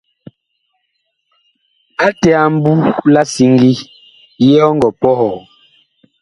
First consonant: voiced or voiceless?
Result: voiceless